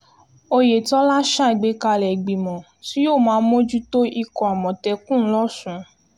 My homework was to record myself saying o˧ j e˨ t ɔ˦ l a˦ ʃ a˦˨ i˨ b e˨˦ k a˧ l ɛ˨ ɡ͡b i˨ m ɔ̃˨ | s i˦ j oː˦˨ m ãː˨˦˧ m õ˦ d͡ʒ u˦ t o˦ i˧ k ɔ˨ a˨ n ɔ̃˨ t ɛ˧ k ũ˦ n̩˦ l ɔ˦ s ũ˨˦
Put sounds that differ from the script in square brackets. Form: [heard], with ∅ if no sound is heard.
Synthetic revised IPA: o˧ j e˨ t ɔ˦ l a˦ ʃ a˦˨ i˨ [ɡ͡b] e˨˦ k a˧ l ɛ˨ ɡ͡b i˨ m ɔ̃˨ | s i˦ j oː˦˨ m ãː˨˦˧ m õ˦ d͡ʒ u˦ t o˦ i˧ k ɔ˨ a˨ [m] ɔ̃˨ t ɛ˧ k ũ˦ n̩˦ l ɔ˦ s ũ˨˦